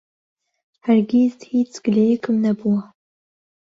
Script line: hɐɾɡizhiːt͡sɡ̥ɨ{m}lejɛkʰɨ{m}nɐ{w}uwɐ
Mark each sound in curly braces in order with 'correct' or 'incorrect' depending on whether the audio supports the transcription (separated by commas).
incorrect, correct, incorrect